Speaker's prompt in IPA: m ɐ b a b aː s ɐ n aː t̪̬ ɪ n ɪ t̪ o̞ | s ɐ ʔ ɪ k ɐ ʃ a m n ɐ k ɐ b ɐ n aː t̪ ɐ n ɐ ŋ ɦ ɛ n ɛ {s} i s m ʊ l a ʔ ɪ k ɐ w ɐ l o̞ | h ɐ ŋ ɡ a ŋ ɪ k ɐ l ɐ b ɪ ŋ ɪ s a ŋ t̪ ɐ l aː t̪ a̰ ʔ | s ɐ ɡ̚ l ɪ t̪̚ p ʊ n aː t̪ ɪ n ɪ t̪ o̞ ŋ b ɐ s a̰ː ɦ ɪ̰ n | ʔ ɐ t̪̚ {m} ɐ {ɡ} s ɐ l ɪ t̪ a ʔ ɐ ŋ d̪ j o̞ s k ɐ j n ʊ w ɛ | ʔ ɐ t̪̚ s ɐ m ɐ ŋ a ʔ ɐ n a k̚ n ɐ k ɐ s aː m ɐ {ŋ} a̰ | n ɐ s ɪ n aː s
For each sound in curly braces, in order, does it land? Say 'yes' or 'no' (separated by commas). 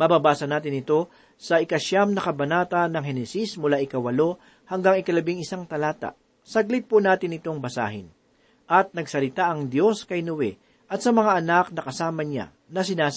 yes, no, yes, no